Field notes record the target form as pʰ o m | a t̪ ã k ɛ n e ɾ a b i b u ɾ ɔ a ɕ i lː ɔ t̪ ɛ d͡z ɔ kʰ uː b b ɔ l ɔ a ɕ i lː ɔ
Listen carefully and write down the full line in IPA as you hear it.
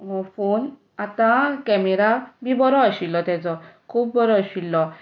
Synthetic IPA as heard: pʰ o n | a t̪ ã k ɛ m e ɾ a b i b ɔ ɾ ɔ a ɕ i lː ɔ t̪ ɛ d͡z ɔ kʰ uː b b ɔ ɾ ɔ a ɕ i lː ɔ